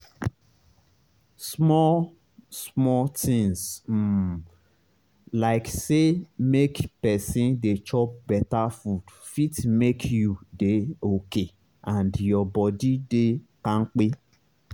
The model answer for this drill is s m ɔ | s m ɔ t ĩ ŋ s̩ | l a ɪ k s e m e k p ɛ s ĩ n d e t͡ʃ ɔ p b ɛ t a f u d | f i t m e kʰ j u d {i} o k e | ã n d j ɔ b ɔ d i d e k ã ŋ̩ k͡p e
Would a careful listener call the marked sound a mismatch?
yes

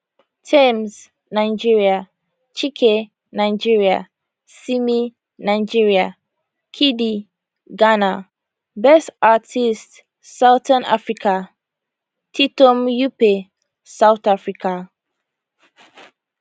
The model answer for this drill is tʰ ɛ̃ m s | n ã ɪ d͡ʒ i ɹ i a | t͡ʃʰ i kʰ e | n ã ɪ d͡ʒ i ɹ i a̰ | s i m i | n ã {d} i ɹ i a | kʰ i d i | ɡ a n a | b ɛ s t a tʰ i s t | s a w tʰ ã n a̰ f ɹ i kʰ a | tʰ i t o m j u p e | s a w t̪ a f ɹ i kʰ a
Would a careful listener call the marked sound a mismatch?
yes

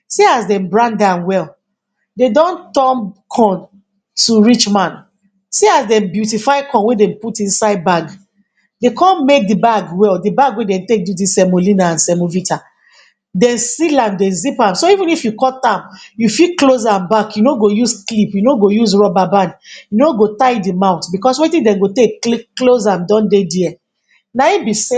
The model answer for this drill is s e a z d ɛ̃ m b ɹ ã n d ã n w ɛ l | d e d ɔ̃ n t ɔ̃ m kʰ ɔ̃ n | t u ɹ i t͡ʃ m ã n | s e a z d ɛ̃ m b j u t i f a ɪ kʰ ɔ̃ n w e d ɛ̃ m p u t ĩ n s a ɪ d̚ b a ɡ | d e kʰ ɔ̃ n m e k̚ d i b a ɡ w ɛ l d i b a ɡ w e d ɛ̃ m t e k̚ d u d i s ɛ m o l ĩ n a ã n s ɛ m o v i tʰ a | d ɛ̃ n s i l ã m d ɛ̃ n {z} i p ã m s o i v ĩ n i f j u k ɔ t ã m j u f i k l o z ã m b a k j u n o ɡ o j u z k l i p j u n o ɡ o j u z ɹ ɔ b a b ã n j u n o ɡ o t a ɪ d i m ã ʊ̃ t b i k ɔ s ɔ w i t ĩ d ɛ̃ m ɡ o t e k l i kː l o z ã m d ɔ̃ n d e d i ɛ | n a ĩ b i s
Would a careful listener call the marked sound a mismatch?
no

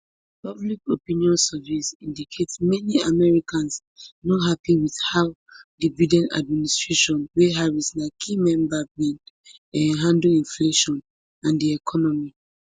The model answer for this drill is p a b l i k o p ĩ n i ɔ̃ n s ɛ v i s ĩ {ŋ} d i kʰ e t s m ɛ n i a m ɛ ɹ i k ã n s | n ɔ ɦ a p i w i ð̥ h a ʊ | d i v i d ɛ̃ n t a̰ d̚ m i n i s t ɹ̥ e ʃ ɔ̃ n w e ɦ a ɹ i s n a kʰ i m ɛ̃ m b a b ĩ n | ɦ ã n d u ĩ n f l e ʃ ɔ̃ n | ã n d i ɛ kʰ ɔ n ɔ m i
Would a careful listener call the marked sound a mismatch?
yes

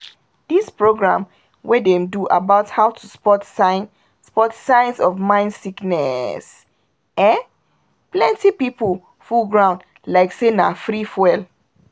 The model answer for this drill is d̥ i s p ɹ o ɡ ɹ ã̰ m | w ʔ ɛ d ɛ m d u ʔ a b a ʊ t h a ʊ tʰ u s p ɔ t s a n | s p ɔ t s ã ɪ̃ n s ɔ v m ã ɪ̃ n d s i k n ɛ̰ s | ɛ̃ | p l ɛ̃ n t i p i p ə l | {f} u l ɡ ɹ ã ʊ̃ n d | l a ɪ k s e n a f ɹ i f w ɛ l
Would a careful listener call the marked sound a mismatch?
no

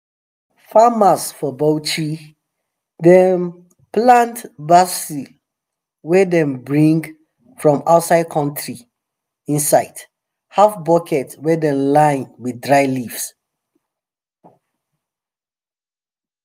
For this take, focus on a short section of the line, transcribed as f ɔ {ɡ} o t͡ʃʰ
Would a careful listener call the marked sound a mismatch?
yes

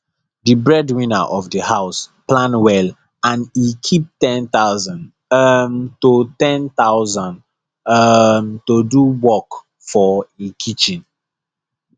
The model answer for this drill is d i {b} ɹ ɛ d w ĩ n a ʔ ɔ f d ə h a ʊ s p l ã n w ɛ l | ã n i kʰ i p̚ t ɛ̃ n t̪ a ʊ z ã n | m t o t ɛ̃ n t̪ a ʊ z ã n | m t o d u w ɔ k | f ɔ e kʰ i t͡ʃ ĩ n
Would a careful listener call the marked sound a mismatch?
no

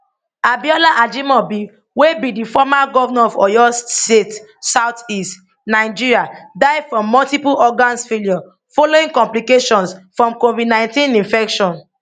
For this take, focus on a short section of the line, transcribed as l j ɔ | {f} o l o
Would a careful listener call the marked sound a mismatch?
no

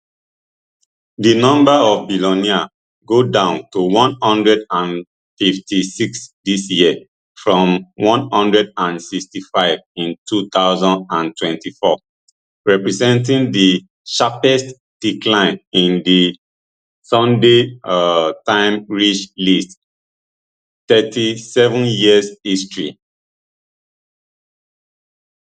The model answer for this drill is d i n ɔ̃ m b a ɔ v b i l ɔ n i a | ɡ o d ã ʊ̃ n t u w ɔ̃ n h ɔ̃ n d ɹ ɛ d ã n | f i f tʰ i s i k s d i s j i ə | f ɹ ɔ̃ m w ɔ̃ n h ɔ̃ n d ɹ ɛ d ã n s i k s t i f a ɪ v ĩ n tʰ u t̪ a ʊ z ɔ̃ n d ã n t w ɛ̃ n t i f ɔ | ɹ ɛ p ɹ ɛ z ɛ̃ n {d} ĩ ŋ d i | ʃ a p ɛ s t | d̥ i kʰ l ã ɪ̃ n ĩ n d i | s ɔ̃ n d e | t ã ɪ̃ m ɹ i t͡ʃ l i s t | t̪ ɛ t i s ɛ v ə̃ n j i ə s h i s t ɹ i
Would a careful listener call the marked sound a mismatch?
yes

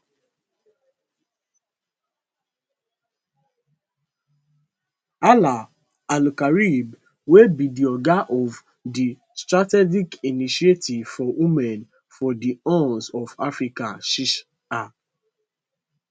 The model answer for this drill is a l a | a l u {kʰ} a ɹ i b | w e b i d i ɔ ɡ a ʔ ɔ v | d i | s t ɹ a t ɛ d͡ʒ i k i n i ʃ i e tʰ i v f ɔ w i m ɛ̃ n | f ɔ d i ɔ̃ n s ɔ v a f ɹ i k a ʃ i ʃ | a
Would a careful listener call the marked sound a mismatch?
yes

